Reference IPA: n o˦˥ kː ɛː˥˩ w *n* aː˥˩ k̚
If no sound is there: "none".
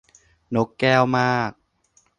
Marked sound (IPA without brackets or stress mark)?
m